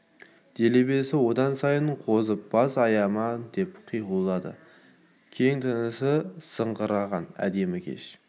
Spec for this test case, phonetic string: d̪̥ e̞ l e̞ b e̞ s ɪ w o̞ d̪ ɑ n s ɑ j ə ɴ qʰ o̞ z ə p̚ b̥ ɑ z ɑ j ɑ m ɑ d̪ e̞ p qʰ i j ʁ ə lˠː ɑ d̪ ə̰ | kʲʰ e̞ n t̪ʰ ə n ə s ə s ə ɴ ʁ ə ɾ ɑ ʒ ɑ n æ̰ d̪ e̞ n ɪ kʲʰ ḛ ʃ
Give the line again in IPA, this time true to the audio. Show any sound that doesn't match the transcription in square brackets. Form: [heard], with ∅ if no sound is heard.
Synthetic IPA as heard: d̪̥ e̞ l e̞ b e̞ s ɪ w o̞ d̪ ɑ n s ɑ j ə ɴ qʰ o̞ z ə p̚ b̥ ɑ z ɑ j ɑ m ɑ d̪ e̞ p qʰ i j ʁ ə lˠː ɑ d̪ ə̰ | kʲʰ e̞ [ŋ] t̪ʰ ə n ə s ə s ə ɴ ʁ ə ɾ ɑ [ʁ] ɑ n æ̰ d̪ e̞ [m] ɪ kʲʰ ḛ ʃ